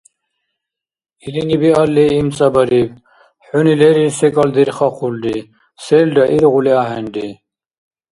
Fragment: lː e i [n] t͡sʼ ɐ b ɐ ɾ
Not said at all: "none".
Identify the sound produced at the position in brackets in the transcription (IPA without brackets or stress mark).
m